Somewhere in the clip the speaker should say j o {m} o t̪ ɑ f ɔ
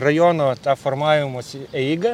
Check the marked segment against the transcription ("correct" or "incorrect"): incorrect